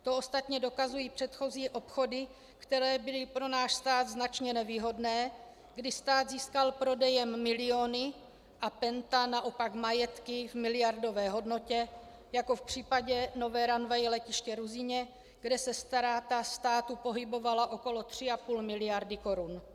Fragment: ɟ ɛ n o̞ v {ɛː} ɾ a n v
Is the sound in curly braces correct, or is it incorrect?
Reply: correct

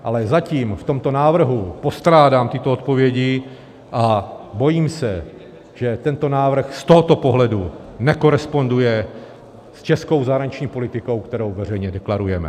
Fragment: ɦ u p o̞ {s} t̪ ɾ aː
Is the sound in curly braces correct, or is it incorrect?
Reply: correct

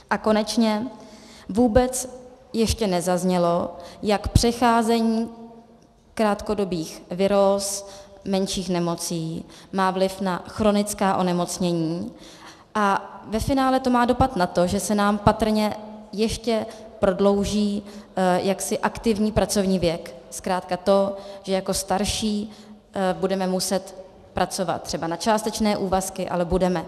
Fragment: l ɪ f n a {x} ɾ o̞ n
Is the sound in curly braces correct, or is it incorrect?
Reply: correct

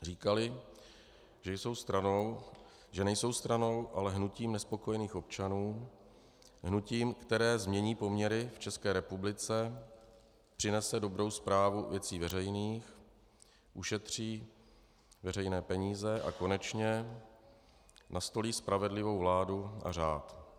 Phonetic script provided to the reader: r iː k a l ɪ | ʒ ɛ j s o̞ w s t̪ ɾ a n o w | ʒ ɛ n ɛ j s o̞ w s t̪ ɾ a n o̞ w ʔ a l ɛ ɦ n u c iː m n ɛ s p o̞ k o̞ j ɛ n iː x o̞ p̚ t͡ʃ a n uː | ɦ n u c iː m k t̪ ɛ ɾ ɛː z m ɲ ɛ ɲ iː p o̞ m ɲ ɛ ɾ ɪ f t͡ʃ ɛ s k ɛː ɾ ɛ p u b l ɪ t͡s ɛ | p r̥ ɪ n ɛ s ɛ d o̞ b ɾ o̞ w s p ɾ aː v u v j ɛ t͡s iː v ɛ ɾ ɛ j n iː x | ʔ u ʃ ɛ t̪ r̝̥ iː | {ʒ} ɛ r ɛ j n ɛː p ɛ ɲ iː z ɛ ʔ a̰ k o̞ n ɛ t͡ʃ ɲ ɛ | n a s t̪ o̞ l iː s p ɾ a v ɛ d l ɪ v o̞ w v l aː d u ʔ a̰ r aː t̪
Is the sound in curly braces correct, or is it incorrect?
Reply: incorrect: v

